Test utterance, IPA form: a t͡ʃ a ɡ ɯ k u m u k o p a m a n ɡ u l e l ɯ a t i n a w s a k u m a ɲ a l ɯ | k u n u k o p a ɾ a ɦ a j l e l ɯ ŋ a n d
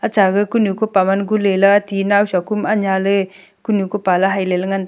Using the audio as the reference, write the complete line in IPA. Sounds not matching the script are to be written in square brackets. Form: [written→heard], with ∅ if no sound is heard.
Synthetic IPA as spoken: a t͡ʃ a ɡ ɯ k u [m→n] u k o p a m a n ɡ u l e l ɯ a t i n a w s a k u m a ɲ a l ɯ | k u n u k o p a [ɾ→l] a ɦ a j l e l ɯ ŋ a n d